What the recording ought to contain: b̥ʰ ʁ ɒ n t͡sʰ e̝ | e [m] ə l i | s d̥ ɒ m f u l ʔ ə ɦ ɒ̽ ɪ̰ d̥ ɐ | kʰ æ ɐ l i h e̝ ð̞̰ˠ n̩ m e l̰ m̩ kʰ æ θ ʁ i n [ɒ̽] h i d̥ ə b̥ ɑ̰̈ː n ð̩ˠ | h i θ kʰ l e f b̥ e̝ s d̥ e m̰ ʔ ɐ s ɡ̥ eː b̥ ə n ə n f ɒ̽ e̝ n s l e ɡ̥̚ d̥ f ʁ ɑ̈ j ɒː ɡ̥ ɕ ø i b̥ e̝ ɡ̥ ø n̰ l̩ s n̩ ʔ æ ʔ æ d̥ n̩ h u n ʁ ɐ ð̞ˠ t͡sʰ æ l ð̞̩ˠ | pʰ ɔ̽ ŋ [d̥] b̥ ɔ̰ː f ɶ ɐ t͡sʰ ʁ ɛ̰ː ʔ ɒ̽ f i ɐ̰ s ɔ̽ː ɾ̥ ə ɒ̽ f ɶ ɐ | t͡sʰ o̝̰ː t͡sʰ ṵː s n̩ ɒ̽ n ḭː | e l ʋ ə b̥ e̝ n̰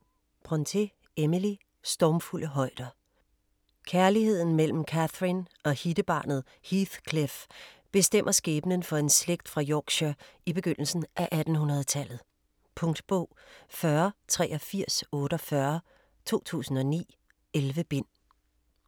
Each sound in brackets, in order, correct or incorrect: correct, correct, correct

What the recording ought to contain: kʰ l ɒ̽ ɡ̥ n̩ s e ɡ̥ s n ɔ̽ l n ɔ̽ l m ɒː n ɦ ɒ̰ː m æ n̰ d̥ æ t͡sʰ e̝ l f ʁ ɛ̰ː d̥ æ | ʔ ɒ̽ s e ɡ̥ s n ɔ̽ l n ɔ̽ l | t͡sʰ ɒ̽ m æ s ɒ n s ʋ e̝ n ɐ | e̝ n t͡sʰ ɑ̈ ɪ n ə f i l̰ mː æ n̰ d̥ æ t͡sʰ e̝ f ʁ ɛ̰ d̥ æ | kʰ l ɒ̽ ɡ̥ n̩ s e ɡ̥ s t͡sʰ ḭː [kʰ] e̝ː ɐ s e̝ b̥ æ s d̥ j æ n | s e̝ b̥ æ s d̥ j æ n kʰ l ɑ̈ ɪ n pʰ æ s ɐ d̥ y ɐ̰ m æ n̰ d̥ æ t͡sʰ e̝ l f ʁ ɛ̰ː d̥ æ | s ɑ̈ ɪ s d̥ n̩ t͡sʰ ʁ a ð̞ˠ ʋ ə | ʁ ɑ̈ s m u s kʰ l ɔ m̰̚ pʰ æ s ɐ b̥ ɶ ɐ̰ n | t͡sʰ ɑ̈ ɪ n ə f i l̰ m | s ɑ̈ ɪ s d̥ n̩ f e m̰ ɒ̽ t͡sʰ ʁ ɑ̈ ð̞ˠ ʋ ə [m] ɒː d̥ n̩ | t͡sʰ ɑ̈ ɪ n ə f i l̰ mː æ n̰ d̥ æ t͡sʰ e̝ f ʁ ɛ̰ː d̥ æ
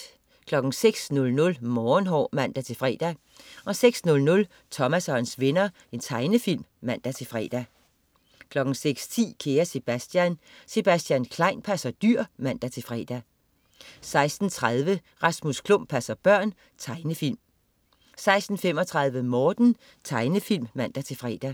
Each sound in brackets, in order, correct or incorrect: correct, correct

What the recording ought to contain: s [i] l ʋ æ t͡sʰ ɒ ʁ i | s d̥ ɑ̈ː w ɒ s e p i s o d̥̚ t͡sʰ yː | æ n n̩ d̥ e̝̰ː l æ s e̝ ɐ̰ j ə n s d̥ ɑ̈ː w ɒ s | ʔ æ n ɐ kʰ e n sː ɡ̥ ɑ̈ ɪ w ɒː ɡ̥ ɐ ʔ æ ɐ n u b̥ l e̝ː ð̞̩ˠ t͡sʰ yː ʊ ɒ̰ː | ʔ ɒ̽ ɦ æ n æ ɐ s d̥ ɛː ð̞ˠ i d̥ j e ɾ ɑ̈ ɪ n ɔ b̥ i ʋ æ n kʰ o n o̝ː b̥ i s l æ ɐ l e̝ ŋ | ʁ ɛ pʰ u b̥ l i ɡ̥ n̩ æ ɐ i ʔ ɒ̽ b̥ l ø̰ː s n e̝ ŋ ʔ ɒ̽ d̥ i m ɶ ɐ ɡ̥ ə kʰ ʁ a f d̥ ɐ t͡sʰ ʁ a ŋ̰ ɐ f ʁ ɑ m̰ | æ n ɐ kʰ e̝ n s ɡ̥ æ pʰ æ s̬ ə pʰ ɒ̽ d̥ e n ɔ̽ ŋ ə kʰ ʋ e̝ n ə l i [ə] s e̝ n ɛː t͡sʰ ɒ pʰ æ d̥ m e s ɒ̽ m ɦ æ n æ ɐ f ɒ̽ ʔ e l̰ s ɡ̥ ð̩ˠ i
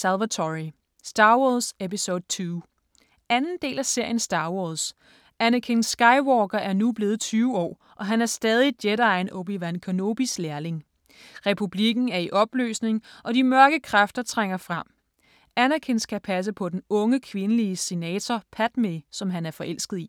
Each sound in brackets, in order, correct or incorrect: incorrect, correct

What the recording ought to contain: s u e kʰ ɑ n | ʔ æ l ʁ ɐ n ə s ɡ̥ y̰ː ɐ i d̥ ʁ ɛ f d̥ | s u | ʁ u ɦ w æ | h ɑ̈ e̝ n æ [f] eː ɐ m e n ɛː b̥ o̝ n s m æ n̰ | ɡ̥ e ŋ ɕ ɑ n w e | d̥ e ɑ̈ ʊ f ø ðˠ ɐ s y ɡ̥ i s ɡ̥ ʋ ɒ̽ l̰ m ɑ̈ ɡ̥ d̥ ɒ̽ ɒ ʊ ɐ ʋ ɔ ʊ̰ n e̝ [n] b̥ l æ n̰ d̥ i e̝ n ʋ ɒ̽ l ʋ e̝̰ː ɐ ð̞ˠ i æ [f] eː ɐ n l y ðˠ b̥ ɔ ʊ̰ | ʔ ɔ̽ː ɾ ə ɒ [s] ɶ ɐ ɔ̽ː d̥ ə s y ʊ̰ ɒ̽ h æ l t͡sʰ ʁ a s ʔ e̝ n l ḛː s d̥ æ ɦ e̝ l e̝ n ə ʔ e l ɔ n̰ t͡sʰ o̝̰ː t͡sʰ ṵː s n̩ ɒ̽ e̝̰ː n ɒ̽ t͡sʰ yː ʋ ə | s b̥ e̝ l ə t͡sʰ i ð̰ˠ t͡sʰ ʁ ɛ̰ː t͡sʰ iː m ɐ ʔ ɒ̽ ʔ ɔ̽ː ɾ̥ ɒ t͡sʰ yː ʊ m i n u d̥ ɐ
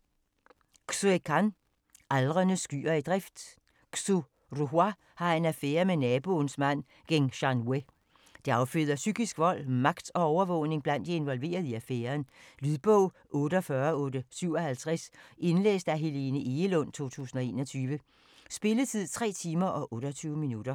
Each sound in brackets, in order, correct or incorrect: correct, incorrect, correct, incorrect

